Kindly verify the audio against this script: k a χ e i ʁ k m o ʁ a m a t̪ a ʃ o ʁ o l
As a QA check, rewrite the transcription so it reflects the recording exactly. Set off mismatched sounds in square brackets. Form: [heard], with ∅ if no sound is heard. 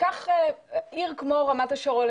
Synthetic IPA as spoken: k a χ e i ʁ k m o ʁ a m a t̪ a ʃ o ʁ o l